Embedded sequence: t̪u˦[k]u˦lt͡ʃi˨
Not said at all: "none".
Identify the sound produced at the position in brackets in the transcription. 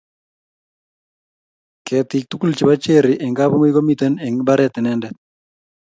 k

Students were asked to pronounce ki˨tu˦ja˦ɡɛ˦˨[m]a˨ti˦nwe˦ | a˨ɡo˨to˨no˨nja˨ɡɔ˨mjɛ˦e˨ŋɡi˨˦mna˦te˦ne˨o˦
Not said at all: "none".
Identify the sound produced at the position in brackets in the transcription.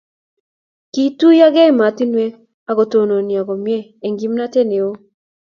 m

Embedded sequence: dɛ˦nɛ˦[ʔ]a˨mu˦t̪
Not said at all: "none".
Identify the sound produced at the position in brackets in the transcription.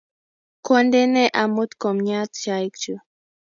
ʔ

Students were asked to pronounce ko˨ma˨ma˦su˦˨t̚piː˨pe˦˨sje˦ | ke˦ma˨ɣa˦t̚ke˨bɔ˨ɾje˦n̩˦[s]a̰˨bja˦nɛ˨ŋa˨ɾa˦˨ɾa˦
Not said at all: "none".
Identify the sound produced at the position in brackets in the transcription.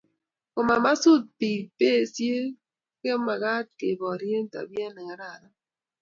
t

